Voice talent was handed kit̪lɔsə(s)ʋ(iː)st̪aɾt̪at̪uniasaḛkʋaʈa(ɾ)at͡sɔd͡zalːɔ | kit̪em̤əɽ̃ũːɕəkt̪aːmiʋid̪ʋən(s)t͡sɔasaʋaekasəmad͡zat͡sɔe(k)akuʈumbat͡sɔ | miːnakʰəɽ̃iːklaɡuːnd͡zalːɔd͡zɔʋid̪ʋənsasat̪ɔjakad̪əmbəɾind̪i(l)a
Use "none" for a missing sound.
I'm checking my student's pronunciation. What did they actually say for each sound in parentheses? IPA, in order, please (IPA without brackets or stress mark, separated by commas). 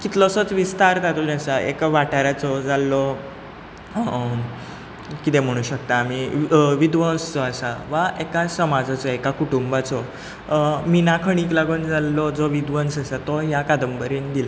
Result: t͡s, i, ɾ, s, k, l